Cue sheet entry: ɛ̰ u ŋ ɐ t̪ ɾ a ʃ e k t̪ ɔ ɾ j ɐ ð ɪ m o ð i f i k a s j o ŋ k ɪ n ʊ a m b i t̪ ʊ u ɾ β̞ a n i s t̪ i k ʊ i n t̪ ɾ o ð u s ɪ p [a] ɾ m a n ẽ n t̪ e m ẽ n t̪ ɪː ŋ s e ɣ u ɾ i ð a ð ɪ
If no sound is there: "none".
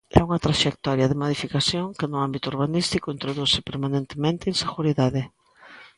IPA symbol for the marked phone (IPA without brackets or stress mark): e